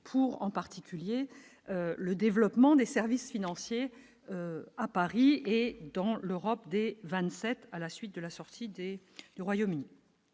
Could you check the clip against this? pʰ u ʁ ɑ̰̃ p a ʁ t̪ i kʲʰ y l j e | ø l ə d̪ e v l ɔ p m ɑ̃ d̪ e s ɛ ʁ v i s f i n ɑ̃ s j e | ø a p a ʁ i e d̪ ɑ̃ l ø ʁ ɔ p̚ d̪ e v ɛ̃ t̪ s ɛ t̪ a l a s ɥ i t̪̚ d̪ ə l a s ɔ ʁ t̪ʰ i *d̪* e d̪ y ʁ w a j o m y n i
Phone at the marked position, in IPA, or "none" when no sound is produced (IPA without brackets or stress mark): d̪